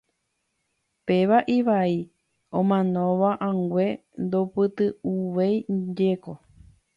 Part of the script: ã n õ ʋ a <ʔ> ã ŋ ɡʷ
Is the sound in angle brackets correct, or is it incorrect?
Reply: correct